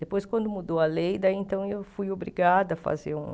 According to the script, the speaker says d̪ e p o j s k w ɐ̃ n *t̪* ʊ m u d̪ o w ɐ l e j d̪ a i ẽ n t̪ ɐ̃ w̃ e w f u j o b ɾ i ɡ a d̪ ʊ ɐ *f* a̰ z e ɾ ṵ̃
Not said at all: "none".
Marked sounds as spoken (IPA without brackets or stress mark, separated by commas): d̪, f